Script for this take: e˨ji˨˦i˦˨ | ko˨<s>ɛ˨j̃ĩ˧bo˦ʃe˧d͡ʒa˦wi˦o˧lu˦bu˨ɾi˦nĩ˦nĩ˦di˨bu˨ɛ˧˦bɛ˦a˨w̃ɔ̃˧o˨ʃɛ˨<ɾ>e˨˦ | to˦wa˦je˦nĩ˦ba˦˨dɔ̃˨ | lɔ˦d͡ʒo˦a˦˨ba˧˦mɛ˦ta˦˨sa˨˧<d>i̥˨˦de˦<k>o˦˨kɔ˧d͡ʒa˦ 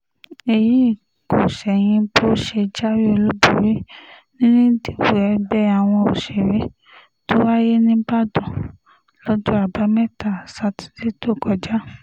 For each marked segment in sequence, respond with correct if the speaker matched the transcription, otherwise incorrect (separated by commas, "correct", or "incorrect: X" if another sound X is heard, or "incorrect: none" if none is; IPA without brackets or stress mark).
incorrect: ʃ, correct, incorrect: t, incorrect: t